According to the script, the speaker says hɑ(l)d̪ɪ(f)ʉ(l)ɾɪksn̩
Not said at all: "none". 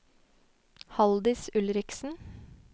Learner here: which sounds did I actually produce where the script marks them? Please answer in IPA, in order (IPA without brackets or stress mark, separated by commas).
l, s, l